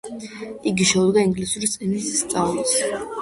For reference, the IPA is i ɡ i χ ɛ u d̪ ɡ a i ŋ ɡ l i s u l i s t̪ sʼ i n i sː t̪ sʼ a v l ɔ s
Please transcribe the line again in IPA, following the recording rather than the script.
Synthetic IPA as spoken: i ɡ i ʃ ɛ u d̪ ɡ a i ŋ ɡ l i s u ɾ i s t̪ sʼ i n i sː t̪ sʼ a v l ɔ s

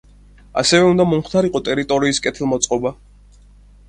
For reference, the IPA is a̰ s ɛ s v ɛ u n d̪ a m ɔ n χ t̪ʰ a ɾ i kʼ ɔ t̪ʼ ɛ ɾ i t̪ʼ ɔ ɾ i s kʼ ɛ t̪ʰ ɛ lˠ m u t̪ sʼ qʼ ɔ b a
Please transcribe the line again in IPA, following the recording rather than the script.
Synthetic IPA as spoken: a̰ s ɛ v ɛ u n d̪ a m ɔ m χ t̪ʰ a ɾ i qʼ ɔ t̪ʼ ɛ ɾ i t̪ʼ ɔ ɾ iː s kʼ ɛ t̪ʰ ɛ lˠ m ɔ t̪ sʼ qʼ ɔ b a

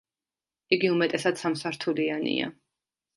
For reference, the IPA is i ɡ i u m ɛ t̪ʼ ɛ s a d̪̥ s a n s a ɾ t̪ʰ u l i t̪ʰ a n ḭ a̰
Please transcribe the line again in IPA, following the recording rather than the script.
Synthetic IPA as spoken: i ɡ i u m ɛ t̪ʼ ɛ s a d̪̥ s a m s a ɾ t̪ʰ u l i a n ḭ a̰

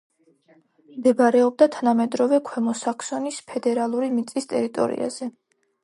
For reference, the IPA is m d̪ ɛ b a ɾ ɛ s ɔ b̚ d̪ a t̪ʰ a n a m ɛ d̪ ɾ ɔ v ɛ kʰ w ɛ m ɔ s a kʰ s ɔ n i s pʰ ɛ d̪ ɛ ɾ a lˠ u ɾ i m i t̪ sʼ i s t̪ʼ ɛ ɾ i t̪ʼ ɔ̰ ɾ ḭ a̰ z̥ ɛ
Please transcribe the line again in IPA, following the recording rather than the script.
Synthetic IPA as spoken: m d̪ ɛ b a ɾ ɛ ɔ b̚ d̪ a t̪ʰ a n a m ɛ d̪ ɾ ɔ v ɛ kʰ w ɛ m ɔ s a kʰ s ɔ n i s pʰ ɛ d̪ ɛ ɾ a lˠ u ɾ i m i t̪ sʼ i s t̪ʼ ɛ ɾ i t̪ʼ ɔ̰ ɾ ḭ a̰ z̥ ɛ

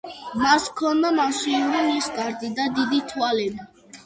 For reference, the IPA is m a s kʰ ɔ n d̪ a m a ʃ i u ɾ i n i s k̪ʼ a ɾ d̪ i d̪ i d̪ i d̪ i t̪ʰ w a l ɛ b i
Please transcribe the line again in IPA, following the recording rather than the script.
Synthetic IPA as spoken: m a s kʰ ɔ n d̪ a m a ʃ i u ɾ i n i s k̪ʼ a ɾ d̪ i d̪ a d̪ i d̪ i t̪ʰ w a l ɛ b i

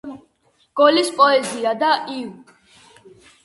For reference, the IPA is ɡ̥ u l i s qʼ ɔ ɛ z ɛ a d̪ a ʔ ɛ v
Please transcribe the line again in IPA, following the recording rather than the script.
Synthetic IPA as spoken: ɡ̥ ɔ l i s pʼ ɔ ɛ z i a d̪ a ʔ i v

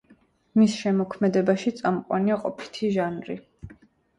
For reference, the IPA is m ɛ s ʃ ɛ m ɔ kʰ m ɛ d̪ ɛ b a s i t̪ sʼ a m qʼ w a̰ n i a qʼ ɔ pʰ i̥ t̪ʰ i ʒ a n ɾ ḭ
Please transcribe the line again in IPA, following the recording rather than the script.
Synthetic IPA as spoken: m i s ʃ ɛ m ɔ kʰ m ɛ d̪ ɛ b a ʃ i t̪ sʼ a m qʼ w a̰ n i a qʼ ɔ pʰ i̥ t̪ʰ i ʒ a n ɾ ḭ

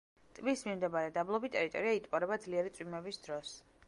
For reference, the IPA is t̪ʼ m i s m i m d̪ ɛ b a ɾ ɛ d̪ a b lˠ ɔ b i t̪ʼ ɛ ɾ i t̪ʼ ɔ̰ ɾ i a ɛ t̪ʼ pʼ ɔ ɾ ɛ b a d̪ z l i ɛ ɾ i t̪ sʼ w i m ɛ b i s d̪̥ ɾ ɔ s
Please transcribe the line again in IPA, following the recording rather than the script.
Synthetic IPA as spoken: t̪ʼ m i s m i m d̪ ɛ b a ɾ ɛ d̪ a b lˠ ɔ b i t̪ʼ ɛ ɾ i t̪ʼ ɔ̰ ɾ i a i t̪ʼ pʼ ɔ ɾ ɛ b a d̪ z l i ɛ ɾ i t̪ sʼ w i m ɛ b i s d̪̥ ɾ ɔ s

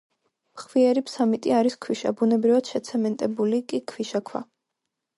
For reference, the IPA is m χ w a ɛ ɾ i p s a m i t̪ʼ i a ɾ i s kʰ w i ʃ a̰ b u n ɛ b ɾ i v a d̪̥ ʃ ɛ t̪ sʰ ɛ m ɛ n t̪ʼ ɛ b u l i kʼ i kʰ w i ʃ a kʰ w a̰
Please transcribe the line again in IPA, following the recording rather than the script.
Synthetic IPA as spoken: m χ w i ɛ ɾ i p s a m i t̪ʼ i a ɾ i s kʰ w i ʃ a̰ b u n ɛ b ɾ i v a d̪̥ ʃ ɛ t̪ sʰ ɛ m ɛ n t̪ʼ ɛ b u l i kʼ i kʰ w i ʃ a kʰ w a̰

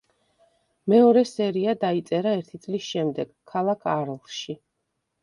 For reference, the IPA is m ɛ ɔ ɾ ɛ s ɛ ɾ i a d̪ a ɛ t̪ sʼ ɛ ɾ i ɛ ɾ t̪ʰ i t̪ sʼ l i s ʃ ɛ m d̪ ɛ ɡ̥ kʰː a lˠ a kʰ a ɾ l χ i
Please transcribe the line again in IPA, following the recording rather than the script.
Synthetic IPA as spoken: m ɛ ɔ ɾ ɛ s ɛ ɾ i a d̪ a i t̪ sʼ ɛ ɾ a ɛ ɾ t̪ʰ i t̪ sʼ l i s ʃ ɛ m d̪ ɛ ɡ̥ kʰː a lˠ a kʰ a ɾ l ʃ i

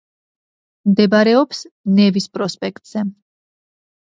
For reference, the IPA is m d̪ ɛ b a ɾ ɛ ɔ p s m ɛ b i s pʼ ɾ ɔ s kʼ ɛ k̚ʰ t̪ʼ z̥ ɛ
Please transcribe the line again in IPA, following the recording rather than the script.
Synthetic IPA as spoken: m d̪ ɛ b a ɾ ɛ ɔ p s n ɛ v i s pʼ ɾ ɔ s pʼ ɛ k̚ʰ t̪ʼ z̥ ɛ

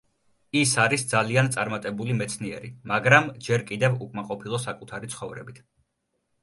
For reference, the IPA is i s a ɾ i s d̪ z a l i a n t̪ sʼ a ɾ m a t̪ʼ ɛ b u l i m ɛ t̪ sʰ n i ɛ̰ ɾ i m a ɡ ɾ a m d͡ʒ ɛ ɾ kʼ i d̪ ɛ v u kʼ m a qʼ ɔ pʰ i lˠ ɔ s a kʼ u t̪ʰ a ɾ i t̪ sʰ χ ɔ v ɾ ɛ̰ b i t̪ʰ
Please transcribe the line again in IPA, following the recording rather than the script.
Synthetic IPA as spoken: i s a ɾ i s d̪ z a l i a n t̪ sʼ a ɾ m a t̪ʼ ɛ b u l i m ɛ t̪ sʰ n i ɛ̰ ɾ i m a ɡ ɾ a m d͡ʒ ɛ ɾ kʼ i d̪ ɛ v u kʼ m a qʼ ɔ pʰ i lˠ ɔ s a kʼ u t̪ʰ a ɾ i t̪ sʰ χ ɔ v ɾ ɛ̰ b i t̪ʰ

